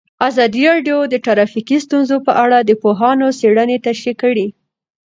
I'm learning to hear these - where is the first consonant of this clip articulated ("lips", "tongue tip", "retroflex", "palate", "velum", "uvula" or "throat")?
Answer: tongue tip